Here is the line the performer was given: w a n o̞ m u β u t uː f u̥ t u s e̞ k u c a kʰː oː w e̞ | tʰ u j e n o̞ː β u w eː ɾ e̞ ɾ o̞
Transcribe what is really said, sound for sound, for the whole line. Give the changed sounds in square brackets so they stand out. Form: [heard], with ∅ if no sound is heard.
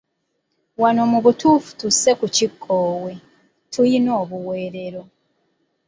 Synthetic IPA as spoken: w a n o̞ m u β u t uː f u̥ t u s e̞ k u c [i] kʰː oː w e̞ | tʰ u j [i] n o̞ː β u w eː ɾ e̞ ɾ o̞